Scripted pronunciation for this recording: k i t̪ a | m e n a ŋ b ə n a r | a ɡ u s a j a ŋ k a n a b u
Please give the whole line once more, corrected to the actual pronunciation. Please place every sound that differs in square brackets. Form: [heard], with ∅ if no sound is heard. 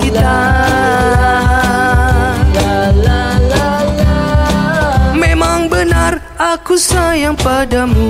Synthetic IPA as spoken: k i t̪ a | m e [m] a ŋ b ə n a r | a [k] u s a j a ŋ [p] a [d] a [m] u